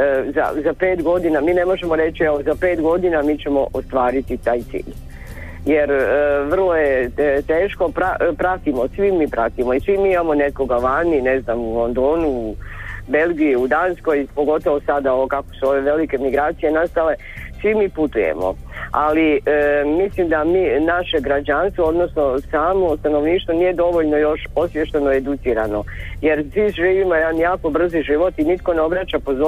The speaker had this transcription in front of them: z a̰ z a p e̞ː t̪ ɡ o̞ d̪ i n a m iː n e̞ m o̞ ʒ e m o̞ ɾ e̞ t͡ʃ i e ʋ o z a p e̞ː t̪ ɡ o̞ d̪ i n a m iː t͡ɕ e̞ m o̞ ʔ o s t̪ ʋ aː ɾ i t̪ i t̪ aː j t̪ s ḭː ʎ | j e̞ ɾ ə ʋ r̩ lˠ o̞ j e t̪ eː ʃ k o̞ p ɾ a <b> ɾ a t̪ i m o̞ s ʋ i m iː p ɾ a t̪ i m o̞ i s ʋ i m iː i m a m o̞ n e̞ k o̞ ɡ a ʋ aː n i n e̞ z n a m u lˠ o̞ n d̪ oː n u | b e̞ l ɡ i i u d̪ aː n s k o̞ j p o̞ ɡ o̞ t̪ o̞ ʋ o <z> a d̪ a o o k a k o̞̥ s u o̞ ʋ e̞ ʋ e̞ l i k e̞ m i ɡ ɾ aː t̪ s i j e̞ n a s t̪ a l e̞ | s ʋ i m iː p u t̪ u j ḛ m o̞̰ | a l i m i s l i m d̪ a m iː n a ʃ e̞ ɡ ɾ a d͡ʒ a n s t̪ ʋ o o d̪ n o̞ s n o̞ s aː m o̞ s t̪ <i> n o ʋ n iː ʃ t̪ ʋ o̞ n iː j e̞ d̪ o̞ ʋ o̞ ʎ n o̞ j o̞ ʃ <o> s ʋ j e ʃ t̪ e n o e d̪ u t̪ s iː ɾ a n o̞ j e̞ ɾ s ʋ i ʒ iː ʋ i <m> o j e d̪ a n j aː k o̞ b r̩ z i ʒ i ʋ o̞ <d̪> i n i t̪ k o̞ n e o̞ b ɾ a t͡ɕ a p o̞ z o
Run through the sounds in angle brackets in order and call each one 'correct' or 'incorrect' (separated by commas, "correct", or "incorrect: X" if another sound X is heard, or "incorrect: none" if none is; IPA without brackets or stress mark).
incorrect: p, incorrect: s, incorrect: a, correct, correct, incorrect: t̪